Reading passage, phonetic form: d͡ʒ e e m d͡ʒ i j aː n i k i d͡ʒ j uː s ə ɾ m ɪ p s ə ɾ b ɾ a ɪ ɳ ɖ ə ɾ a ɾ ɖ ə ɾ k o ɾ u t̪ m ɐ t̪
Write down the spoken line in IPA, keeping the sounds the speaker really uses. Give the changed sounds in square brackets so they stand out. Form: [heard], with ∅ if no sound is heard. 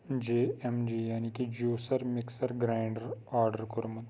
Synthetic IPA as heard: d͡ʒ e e m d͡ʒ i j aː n i k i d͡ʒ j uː s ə ɾ m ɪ [k] s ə ɾ [ɡ] ɾ a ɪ ɳ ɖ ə ɾ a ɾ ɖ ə ɾ k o ɾ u [∅] m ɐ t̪